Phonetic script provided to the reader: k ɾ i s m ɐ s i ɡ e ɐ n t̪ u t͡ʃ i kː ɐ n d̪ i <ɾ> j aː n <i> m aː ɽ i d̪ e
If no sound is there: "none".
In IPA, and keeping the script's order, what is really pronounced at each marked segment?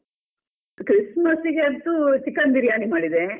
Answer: ɾ, i

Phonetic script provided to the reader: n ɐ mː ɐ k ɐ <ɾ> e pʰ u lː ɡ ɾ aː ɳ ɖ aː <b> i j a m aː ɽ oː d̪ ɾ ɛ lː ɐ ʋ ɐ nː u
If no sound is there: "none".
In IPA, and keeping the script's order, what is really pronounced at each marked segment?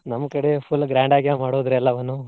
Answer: ɽ, ɡ

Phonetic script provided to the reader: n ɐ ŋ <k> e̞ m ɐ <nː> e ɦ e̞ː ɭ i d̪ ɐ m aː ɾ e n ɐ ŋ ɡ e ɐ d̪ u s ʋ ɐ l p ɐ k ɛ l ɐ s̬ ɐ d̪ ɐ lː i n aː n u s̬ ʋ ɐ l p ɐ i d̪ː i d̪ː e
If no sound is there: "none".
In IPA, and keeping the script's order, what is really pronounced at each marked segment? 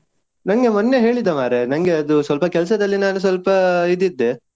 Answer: ɡ, nː

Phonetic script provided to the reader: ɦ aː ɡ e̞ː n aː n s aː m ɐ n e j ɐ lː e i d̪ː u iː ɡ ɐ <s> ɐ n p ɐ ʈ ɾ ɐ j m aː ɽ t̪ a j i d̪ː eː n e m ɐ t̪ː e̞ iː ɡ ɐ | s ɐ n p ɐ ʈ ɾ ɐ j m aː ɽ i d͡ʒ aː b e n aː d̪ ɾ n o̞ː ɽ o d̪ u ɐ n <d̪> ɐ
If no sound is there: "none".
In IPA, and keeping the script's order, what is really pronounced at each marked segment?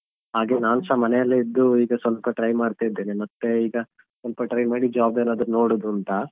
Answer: s, t̪

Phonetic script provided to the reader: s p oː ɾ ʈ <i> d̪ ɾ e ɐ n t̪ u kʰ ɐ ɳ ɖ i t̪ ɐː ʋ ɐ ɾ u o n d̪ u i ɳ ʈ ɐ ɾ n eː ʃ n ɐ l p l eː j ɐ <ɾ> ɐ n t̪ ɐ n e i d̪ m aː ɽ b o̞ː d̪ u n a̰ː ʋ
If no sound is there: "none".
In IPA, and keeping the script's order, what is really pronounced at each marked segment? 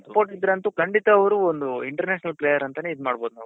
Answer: i, ɾ

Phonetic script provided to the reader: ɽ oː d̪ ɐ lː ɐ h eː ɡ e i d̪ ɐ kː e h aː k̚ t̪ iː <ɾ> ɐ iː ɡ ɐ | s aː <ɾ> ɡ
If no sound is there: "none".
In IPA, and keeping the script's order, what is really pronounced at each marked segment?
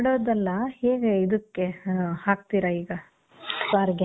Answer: ɾ, ɾ

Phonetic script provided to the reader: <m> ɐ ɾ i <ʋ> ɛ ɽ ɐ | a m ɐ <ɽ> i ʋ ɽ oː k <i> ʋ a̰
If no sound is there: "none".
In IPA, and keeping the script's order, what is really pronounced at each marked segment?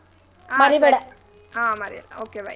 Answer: m, ʋ, ɾ, e

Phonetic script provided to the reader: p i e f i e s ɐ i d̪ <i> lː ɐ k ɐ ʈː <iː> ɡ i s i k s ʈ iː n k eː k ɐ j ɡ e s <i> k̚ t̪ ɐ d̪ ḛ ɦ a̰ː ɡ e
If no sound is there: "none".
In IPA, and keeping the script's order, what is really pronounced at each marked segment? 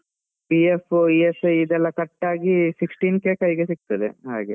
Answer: ɛ, aː, i

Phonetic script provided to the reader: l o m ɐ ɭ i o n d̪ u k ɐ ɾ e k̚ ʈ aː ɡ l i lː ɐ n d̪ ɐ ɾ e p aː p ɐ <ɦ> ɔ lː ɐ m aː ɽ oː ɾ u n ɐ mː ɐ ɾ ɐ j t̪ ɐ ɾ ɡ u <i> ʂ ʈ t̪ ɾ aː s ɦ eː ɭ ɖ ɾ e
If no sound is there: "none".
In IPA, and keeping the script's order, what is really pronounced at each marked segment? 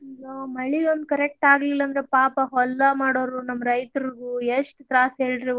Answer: ɦ, e

